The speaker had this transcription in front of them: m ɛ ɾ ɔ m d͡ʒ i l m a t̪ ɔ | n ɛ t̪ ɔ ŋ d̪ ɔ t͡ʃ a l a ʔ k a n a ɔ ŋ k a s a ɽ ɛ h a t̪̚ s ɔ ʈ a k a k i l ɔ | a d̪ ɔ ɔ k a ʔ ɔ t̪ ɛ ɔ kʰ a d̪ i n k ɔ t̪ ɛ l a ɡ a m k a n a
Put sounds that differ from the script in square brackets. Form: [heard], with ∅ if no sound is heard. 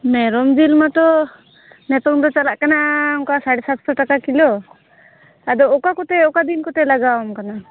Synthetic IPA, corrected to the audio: m ɛ ɾ ɔ m d͡ʒ i l m a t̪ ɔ | n ɛ t̪ ɔ ŋ d̪ ɔ t͡ʃ a l a ʔ k a n a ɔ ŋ k a s a ɽ ɛ [s] a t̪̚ s ɔ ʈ a k a k i l ɔ | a d̪ ɔ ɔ k a [k] ɔ t̪ ɛ ɔ [k] a d̪ i n k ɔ t̪ ɛ l a ɡ a m k a n a